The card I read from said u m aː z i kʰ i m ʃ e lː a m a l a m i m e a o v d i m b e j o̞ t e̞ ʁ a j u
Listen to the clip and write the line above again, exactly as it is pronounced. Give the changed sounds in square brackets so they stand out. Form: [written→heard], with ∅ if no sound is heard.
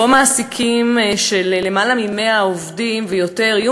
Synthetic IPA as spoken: [u→o] m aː [z→s] i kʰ i m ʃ e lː [a→e] m a l a m i m e a o v d i m [b→v] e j o̞ t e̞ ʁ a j u

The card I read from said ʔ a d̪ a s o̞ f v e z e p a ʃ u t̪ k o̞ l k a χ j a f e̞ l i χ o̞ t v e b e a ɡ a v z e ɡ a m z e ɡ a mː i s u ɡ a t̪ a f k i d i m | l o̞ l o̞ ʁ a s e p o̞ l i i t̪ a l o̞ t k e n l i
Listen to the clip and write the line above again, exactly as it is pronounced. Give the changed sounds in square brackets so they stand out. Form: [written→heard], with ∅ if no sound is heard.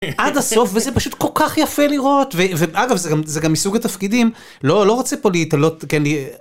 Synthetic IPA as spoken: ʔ a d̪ a s o̞ f v e z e p a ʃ u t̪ k o̞ l k a χ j a f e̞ l i [χ→ʁ] o̞ t v e [b→v] e a ɡ a v z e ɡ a m z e ɡ a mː i s u ɡ a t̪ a f k i d i m | l o̞ l o̞ ʁ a [s→t͡s] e p o̞ l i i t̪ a l o̞ t k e n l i

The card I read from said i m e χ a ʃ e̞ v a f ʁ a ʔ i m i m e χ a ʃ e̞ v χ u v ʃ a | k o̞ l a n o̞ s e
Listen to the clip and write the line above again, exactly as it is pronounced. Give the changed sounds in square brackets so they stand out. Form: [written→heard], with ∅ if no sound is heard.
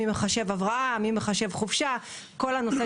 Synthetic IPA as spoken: i m e χ a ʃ e̞ v a [f→v] ʁ a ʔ [i→a] m i m e χ a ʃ e̞ v χ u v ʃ a | k o̞ l a n o̞ s e

